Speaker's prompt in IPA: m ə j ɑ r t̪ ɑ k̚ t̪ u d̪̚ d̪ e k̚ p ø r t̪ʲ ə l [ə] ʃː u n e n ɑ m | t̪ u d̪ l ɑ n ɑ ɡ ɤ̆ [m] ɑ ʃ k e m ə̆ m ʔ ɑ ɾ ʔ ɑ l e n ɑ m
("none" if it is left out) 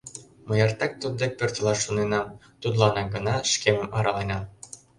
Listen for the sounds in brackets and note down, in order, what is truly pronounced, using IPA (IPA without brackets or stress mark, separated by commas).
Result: ɑ, n